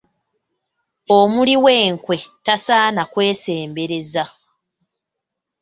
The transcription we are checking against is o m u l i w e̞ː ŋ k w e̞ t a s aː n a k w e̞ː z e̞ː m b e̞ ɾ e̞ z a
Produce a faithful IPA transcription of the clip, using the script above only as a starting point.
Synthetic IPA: o m u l i w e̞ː ŋ k w e̞ t a s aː n a k w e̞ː s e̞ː m b e̞ ɾ e̞ z a